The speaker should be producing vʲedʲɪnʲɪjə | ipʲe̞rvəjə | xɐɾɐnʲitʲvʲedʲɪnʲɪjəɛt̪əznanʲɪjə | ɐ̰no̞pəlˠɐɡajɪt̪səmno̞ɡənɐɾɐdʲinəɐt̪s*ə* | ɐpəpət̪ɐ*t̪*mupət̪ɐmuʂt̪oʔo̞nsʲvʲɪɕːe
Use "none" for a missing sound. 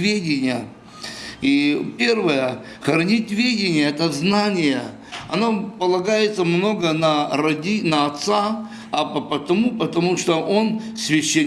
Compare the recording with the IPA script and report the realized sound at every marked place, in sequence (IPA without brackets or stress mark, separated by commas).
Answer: a, none